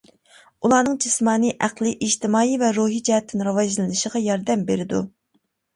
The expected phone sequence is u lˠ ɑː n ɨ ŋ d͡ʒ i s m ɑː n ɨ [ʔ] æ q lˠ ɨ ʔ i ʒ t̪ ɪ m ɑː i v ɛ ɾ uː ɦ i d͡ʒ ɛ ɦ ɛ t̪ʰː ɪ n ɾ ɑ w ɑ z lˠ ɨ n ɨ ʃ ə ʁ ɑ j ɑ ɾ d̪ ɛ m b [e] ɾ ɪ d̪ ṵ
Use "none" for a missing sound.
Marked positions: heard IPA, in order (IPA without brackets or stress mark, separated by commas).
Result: ʔ, e